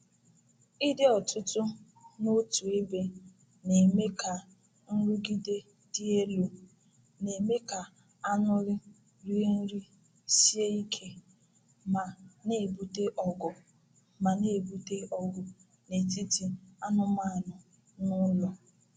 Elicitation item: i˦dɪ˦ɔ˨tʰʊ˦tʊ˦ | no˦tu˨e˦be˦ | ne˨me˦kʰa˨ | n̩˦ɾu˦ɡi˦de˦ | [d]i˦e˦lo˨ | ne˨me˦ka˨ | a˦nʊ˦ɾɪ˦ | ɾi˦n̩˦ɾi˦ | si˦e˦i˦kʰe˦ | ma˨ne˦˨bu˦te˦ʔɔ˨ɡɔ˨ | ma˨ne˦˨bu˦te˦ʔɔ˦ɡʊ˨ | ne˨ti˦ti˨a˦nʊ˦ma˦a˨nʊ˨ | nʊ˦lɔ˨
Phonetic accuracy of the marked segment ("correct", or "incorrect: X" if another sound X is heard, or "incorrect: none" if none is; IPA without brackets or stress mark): correct